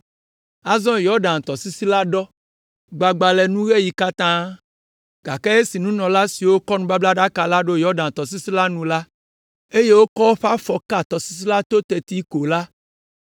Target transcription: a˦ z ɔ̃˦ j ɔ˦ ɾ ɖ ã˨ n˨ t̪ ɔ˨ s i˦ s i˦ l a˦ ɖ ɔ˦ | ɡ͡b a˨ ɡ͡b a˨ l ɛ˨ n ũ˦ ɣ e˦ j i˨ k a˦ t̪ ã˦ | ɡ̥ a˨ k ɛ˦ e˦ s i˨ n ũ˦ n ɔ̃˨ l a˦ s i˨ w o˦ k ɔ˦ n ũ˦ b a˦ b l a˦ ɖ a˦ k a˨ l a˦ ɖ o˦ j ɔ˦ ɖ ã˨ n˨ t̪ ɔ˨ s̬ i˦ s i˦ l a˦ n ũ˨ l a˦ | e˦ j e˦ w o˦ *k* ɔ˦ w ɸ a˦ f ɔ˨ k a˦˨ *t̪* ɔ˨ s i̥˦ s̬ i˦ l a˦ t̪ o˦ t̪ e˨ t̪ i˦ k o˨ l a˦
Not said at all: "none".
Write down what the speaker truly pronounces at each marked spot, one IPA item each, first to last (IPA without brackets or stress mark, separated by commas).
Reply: k, t̪